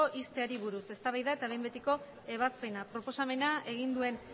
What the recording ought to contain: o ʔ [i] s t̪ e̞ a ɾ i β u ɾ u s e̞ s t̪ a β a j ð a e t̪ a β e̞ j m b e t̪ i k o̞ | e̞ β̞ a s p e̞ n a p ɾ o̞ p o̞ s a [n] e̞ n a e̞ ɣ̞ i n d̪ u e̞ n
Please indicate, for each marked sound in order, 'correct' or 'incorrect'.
correct, incorrect

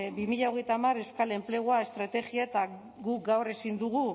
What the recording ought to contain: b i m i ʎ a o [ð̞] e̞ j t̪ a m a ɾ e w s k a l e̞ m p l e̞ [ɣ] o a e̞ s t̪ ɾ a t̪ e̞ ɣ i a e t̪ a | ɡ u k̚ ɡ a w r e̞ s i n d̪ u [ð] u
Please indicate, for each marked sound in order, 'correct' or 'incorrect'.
incorrect, correct, incorrect

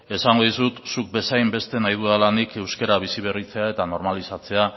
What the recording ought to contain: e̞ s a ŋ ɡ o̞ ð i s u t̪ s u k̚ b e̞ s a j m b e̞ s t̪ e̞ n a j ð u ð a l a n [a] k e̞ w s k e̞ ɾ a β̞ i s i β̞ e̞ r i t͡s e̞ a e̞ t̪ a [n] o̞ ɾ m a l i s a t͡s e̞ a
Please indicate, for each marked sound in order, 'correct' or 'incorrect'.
incorrect, correct

